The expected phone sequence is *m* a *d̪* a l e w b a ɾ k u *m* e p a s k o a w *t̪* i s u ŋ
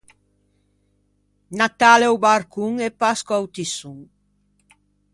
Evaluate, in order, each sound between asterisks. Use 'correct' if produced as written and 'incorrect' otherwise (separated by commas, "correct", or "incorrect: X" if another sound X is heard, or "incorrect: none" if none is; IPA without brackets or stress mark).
incorrect: n, incorrect: t̪, incorrect: ŋ, correct